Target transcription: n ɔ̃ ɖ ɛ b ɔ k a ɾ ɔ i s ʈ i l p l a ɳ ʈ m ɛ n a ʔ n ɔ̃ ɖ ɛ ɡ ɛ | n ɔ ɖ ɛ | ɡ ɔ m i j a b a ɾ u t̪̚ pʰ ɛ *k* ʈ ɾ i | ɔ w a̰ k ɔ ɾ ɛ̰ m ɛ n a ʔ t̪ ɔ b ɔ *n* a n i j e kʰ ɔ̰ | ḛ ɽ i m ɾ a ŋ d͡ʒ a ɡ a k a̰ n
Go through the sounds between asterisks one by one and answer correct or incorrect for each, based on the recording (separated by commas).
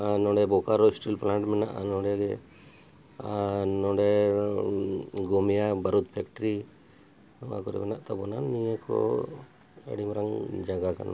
correct, correct